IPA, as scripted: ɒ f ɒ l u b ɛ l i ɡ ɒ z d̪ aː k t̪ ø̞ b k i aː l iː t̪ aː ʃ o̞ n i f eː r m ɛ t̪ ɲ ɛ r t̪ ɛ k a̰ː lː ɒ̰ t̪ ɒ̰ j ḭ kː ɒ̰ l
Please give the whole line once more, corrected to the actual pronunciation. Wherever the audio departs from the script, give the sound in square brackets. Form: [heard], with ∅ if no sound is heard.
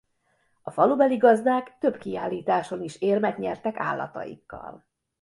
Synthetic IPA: ɒ f ɒ l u b ɛ l i ɡ ɒ z d̪ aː k t̪ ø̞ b k i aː [lː] iː t̪ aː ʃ o̞ n i [ʃ] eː r m ɛ t̪ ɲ ɛ r t̪ ɛ k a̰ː lː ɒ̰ t̪ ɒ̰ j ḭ kː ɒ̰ l